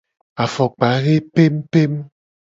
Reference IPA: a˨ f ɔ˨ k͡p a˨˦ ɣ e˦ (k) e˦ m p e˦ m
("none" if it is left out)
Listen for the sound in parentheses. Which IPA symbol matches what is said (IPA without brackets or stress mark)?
p